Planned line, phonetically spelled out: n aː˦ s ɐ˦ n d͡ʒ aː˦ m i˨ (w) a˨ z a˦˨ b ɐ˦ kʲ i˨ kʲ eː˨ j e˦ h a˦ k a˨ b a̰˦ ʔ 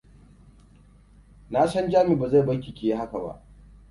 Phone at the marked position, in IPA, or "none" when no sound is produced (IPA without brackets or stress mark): b